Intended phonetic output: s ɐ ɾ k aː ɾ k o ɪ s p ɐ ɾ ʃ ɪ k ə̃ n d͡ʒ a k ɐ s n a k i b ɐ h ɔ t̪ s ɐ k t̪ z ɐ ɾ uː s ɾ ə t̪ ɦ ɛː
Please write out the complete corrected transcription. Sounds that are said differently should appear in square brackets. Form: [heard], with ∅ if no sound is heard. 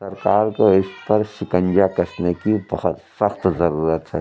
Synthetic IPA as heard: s ɐ ɾ k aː ɾ k o ɪ s p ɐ ɾ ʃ ɪ k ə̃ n d͡ʒ a k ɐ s n [e] k i b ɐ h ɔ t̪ s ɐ [x] t̪ z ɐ ɾ uː [∅] ɾ ə t̪ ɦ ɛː